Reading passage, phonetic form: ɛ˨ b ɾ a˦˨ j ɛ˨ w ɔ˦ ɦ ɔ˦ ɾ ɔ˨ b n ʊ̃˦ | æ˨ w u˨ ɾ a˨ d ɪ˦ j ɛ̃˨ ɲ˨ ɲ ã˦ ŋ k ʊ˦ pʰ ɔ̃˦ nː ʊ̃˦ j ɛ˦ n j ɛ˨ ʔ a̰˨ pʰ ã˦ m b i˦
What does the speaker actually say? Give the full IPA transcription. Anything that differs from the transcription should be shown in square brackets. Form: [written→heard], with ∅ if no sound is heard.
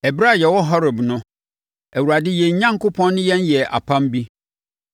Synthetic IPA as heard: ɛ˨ b ɾ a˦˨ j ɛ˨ w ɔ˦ ɦ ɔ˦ ɾ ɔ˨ b n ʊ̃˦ | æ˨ w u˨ ɾ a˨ d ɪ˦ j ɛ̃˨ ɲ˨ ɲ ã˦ ŋ k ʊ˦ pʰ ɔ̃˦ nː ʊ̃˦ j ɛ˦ n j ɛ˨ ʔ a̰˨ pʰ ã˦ m b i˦